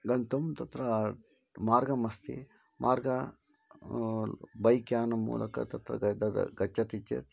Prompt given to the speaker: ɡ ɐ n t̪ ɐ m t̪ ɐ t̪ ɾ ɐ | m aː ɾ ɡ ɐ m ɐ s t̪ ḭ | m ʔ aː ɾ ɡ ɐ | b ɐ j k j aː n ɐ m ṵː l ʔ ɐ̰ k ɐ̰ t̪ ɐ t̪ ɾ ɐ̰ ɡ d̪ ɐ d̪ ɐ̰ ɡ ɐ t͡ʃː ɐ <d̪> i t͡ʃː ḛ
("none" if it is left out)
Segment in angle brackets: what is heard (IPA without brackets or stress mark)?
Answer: t̪